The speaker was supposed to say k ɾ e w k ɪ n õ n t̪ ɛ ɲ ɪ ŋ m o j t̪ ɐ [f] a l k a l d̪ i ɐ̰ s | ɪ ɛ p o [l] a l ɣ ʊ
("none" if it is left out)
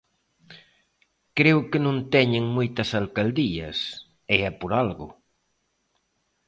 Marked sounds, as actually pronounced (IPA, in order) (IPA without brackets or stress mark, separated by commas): s, ɾ